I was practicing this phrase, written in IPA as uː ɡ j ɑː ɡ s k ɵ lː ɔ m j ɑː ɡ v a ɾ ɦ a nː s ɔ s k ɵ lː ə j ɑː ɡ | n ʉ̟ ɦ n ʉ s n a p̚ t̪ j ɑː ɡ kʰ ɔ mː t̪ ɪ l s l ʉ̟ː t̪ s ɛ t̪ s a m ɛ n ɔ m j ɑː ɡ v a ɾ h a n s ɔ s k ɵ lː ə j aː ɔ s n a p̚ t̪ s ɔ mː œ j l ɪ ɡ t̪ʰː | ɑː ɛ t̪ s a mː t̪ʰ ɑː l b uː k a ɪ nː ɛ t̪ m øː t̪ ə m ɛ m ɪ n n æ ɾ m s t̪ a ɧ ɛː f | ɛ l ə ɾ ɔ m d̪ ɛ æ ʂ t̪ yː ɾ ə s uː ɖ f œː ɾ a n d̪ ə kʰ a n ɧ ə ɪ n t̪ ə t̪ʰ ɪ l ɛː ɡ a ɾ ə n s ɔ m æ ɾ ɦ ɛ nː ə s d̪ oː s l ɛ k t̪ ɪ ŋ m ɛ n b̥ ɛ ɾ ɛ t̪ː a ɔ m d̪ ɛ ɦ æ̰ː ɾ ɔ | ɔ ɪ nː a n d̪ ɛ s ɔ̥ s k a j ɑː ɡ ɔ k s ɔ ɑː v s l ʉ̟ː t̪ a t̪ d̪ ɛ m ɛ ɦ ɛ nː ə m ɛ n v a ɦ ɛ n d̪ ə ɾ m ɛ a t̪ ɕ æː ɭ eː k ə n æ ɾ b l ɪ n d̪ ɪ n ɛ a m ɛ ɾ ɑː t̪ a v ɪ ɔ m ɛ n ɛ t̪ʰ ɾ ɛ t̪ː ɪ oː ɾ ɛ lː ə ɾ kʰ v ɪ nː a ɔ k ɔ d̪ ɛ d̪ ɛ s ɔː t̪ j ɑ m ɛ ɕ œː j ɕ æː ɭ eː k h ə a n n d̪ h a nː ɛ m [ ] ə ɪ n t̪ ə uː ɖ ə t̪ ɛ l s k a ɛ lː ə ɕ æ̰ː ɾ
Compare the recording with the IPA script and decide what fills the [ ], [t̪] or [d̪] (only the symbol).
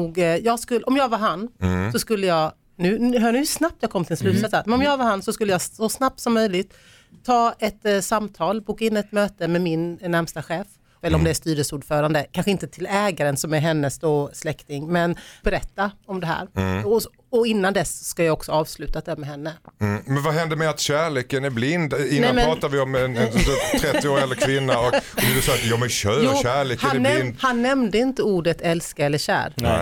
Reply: d̪